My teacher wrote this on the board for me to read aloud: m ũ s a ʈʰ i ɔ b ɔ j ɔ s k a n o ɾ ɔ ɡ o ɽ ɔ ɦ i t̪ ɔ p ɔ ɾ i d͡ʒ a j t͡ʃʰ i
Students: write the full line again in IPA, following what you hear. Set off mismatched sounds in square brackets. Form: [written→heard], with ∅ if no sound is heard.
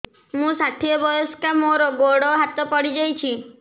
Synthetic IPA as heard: m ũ s a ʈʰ i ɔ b ɔ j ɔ s k a [n→m] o ɾ ɔ ɡ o ɽ ɔ ɦ [i→a] t̪ ɔ p ɔ [ɾ→ɽ] i d͡ʒ a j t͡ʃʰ i